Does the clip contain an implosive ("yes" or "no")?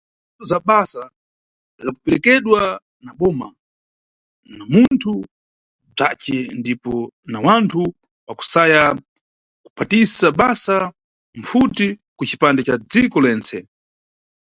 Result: yes